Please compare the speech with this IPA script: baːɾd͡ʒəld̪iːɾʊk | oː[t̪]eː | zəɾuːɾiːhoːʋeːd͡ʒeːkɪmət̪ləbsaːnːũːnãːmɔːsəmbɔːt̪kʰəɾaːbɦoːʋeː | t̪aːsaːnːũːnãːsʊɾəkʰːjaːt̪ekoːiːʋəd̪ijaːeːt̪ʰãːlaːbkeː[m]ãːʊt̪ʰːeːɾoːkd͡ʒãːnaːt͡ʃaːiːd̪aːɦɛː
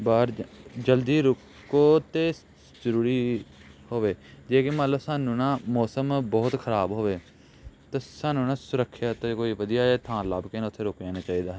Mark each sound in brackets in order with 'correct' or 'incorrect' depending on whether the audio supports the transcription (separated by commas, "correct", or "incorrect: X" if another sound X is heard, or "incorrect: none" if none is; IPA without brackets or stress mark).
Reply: correct, incorrect: n